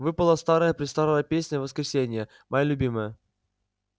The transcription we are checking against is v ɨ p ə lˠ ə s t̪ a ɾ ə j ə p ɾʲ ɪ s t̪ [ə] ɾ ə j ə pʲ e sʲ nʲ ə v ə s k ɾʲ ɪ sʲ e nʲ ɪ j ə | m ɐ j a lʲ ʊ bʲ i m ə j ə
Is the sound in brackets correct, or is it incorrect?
incorrect: a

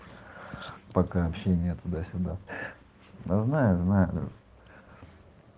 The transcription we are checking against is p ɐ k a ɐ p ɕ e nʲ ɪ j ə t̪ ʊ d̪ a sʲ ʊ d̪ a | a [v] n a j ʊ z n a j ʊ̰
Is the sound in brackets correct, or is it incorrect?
incorrect: z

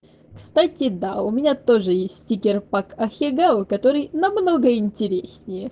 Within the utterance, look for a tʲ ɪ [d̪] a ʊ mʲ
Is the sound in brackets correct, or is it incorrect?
correct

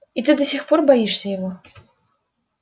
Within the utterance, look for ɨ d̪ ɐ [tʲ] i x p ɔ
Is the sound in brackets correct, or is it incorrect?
incorrect: sʲ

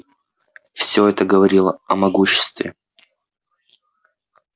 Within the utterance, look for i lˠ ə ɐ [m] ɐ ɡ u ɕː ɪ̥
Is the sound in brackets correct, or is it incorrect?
correct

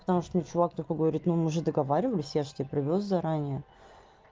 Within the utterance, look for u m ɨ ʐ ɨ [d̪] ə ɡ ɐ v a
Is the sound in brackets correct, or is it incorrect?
correct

